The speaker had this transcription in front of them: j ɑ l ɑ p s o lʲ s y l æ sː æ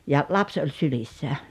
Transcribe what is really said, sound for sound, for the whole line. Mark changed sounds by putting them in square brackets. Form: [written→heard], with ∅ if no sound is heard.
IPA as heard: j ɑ l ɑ p s o lʲ s y l [æ→i] sː æ